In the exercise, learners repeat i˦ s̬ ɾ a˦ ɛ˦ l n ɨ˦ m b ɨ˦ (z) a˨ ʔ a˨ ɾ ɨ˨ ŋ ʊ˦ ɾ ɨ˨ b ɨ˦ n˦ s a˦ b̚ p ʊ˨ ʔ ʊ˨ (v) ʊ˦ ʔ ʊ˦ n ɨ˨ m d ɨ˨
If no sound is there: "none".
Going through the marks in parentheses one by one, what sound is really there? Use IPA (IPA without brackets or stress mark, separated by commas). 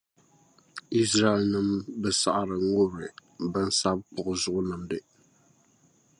s, z